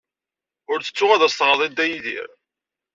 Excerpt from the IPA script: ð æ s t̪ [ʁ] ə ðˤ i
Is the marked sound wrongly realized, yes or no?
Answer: no